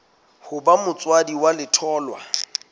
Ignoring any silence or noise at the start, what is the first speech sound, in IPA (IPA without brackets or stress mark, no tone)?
h